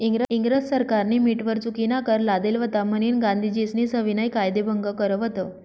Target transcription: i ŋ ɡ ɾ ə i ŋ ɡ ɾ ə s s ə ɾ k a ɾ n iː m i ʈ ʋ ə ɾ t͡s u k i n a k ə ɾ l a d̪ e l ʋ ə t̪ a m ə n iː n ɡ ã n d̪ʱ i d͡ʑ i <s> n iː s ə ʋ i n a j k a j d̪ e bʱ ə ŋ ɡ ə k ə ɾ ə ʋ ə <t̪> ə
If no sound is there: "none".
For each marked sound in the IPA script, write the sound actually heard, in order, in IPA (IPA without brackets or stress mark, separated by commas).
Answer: s, t̪